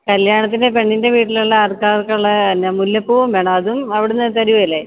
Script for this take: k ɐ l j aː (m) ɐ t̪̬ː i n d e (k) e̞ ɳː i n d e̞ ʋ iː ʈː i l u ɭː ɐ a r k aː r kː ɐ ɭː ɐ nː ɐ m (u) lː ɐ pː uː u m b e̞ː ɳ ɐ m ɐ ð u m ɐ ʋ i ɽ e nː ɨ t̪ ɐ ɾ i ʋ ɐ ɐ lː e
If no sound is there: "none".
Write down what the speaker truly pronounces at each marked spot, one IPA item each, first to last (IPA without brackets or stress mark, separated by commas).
ɳ, p, u